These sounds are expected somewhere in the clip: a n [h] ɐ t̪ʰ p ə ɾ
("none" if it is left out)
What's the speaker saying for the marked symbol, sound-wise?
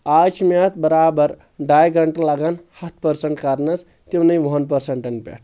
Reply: h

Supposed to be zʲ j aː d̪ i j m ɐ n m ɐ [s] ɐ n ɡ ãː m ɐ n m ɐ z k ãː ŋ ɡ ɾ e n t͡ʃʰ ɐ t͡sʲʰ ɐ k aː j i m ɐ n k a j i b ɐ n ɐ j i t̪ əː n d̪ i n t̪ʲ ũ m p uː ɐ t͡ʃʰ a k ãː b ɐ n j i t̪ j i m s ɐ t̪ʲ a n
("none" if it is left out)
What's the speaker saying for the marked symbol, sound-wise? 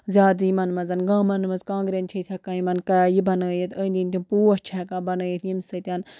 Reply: z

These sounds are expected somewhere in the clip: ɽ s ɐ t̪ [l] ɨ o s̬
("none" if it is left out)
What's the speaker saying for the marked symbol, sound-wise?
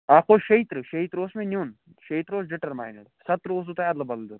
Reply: ɾ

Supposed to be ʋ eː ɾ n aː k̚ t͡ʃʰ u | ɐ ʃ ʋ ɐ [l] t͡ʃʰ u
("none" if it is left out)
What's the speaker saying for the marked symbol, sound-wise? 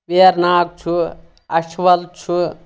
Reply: l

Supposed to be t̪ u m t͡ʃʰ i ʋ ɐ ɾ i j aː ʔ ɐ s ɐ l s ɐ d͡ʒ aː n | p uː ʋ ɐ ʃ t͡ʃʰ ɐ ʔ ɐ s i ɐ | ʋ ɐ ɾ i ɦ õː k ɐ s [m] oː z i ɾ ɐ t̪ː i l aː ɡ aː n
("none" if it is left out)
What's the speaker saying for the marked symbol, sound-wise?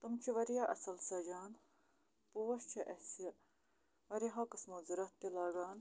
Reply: m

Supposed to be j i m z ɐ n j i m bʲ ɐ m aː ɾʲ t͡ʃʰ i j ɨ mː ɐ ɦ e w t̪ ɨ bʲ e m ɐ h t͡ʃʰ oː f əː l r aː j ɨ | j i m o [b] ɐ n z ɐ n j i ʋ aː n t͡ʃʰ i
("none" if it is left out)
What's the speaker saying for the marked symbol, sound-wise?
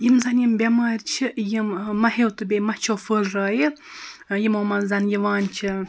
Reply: m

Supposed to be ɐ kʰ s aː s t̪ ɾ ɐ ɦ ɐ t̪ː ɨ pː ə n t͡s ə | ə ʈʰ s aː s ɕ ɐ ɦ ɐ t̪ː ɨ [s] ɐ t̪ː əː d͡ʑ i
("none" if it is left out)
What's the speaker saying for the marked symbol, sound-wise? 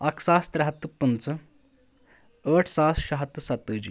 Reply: s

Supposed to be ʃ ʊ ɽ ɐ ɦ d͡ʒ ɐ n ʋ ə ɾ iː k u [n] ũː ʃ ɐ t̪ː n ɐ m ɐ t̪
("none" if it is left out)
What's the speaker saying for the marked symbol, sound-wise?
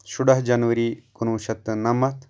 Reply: n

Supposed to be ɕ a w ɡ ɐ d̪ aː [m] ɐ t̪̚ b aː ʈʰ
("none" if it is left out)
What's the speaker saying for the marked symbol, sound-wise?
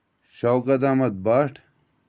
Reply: m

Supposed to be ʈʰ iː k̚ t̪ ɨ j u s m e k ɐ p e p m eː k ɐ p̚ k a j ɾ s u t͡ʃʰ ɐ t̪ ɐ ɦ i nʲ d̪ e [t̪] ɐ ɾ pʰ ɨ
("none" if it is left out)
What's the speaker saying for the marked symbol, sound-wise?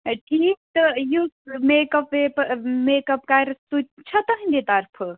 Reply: t̪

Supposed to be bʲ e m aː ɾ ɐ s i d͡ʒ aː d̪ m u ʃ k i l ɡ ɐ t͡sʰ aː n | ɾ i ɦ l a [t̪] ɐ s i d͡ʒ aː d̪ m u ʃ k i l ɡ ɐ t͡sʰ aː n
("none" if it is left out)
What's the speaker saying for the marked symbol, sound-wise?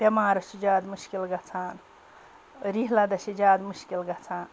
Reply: d̪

